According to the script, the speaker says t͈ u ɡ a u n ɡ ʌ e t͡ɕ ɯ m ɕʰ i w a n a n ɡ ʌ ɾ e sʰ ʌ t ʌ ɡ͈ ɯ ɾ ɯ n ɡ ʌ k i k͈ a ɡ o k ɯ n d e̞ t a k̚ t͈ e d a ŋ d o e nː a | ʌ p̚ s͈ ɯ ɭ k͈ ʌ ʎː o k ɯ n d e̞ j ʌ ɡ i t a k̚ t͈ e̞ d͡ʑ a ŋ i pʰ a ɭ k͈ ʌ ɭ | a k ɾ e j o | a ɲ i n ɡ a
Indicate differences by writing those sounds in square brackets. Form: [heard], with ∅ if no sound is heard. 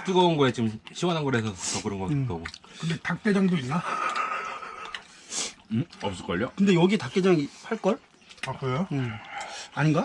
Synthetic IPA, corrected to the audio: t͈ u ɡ [ʌ] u n ɡ ʌ e t͡ɕ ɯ m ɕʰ i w a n a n ɡ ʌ ɾ e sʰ ʌ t ʌ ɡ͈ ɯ ɾ ɯ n ɡ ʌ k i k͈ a ɡ o k ɯ n d e̞ t a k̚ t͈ e [d͡ʑ] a ŋ d o [i] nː a | ʌ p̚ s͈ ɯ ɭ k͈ ʌ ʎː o k ɯ n d e̞ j ʌ ɡ i t a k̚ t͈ e̞ d͡ʑ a ŋ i pʰ a ɭ k͈ ʌ ɭ | a k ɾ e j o | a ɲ i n ɡ a